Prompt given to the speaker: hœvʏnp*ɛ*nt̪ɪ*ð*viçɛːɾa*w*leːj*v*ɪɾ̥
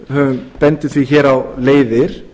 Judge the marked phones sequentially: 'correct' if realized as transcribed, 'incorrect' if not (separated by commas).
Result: correct, incorrect, correct, incorrect